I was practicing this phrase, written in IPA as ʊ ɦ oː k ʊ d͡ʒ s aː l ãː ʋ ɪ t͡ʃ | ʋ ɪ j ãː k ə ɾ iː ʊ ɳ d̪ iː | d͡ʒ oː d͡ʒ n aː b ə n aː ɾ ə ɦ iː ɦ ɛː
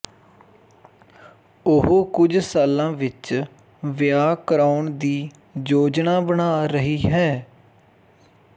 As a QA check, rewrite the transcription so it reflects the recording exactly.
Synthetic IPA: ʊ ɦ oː k ʊ d͡ʒ s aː l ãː ʋ ɪ t͡ʃ | ʋ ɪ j aː k ə ɾ aː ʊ ɳ d̪ iː | d͡ʒ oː d͡ʒ n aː b ə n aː ɾ ə ɦ iː ɦ ɛː

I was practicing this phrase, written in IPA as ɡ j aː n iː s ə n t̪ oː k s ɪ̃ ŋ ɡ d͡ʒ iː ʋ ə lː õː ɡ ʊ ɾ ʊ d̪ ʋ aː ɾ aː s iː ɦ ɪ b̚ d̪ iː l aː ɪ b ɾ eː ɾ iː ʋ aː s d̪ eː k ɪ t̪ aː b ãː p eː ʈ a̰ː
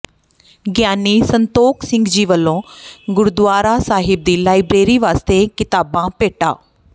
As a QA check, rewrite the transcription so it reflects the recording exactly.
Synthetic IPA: ɡ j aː n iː s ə n t̪ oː k s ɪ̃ ŋ ɡ d͡ʒ iː ʋ ə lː õː ɡ ʊ ɾ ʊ d̪ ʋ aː ɾ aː s aː ɦ ɪ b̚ d̪ iː l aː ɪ b ɾ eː ɾ iː ʋ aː s t̪ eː k ɪ t̪ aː b ãː p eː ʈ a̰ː

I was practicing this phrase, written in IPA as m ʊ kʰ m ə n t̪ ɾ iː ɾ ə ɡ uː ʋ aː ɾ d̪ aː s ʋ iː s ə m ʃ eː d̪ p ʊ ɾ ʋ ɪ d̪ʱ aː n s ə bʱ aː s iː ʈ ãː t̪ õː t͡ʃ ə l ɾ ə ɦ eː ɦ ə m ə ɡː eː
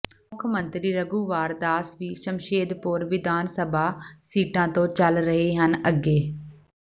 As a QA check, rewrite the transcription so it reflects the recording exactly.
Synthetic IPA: m ʊ kʰ m ə n t̪ ɾ iː ɾ ə ɡ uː ʋ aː ɾ d̪ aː s ʋ iː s ə m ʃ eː d̪ p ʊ ɾ ʋ ɪ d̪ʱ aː n s ə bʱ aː s iː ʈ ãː t̪ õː t͡ʃ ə l ɾ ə ɦ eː ɦ ə n ə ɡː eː

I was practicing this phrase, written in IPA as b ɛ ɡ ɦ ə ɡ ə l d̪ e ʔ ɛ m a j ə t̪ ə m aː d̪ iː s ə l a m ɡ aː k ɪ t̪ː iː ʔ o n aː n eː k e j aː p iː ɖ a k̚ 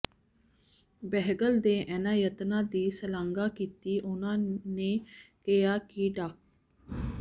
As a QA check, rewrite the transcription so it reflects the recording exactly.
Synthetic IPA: b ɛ ɦ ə ɡ ə l d̪ e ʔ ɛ n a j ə t̪ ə n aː d̪ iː s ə l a ŋ ɡ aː k i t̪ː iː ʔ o n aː n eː k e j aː k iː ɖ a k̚

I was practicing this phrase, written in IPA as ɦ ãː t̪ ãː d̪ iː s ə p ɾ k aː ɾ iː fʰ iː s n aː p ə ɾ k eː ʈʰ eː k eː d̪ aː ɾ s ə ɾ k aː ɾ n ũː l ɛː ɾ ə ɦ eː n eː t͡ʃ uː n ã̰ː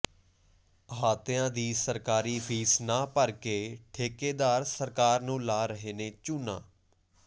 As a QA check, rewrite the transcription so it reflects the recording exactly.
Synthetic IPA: ɦ aː t̪ ãː d̪ iː s ə ɾ k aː ɾ iː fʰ iː s n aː p ə ɾ k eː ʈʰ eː k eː d̪ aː ɾ s ə ɾ k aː ɾ n ũː l aː ɾ ə ɦ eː n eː t͡ʃ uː n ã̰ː

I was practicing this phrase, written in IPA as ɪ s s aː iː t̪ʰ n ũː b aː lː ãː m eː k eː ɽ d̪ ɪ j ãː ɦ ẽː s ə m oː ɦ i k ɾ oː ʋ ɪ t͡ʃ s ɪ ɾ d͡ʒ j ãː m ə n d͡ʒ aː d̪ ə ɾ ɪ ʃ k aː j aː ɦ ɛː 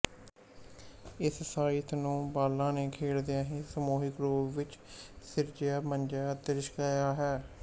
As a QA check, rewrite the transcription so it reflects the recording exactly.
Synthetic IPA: ɪ s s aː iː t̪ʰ n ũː b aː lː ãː n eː kʰ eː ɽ d̪ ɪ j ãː ɦ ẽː s ə m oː ɦ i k ɾ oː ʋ ɪ t͡ʃ s ɪ ɾ d͡ʒ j aː m ə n d͡ʒ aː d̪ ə ɾ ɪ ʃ k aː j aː ɦ ɛː

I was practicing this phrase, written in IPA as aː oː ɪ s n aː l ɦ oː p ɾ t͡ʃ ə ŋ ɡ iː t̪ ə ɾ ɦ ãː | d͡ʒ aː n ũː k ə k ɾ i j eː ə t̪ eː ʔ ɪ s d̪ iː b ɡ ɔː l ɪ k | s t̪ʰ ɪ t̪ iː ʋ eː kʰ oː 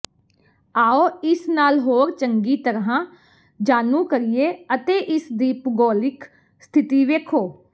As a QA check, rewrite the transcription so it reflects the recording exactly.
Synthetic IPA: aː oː ɪ s n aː l ɦ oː ɾ t͡ʃ ə ŋ ɡ iː t̪ ə ɾ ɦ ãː | d͡ʒ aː n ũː k ə ɾ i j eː ə t̪ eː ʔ ɪ s d̪ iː p ɡ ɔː l ɪ k | s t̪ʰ ɪ t̪ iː ʋ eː kʰ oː

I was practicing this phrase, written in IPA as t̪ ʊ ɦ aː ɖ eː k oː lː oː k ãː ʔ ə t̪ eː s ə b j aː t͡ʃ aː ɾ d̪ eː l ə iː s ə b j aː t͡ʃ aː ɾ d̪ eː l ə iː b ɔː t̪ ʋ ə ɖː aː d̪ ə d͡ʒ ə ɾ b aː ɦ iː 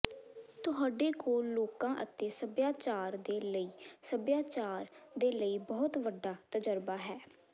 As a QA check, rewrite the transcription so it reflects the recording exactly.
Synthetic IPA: t̪ ʊ ɦ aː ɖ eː k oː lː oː k ãː ʔ ə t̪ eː s ə b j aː t͡ʃ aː ɾ d̪ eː l ə iː s ə b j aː t͡ʃ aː ɾ d̪ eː l ə iː b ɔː t̪ ʋ ə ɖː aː t̪ ə d͡ʒ ə ɾ b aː ɦ ɛː

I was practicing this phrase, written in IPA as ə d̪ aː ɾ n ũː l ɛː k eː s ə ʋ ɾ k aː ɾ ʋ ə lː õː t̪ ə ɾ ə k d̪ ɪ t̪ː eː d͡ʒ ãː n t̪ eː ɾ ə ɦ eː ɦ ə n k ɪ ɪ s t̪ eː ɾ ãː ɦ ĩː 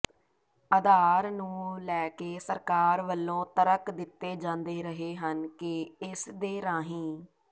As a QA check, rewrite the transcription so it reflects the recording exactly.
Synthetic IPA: ə d̪ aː ɾ n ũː l ɛː k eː s ə ɾ k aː ɾ ʋ ə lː õː t̪ ə ɾ ə k d̪ ɪ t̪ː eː d͡ʒ ãː n d̪ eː ɾ ə ɦ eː ɦ ə n k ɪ ɪ s d̪ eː ɾ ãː ɦ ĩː

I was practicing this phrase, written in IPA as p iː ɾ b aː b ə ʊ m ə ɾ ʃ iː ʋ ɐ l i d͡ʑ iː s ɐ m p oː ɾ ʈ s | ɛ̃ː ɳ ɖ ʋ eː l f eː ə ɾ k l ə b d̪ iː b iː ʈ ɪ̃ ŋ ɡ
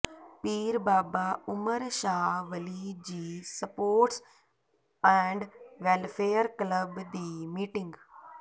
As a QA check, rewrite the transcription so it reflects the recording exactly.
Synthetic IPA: p iː ɾ b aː b a ʊ m ə ɾ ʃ aː ʋ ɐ l i d͡ʑ iː s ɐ p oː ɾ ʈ s | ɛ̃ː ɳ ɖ ʋ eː l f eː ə ɾ k l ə b d̪ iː m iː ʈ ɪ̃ ŋ ɡ

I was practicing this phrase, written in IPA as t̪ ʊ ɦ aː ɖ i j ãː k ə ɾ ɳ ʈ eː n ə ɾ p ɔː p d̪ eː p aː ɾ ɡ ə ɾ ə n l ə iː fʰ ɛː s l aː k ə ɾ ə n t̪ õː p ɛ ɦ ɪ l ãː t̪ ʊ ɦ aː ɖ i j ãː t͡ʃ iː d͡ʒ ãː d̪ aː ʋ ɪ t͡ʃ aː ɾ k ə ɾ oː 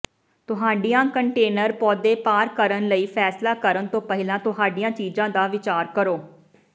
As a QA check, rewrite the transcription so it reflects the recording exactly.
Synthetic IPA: t̪ ʊ ɦ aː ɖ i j ãː k ə ɳ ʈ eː n ə ɾ p ɔː d̪ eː p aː ɾ k ə ɾ ə n l ə iː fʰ ɛː s l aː k ə ɾ ə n t̪ õː p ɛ ɦ ɪ l ãː t̪ ʊ ɦ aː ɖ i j ãː t͡ʃ iː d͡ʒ ãː d̪ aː ʋ ɪ t͡ʃ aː ɾ k ə ɾ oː

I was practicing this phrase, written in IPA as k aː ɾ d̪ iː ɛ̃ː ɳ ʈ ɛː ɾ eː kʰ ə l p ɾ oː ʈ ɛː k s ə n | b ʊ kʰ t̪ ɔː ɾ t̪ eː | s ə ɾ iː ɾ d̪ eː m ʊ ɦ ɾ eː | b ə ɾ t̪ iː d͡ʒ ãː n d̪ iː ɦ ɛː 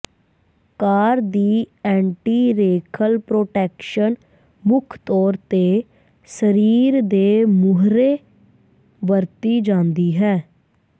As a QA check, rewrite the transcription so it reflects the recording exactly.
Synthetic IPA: k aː ɾ d̪ iː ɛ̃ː ɳ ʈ iː ɾ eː kʰ ə l p ɾ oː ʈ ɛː k ʃ ə n | m ʊ kʰ t̪ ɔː ɾ t̪ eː | s ə ɾ iː ɾ d̪ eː m ʊ ɦ ɾ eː | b ə ɾ t̪ iː d͡ʒ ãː n d̪ iː ɦ ɛː

